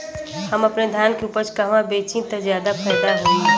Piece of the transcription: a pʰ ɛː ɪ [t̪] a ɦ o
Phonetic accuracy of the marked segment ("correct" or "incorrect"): incorrect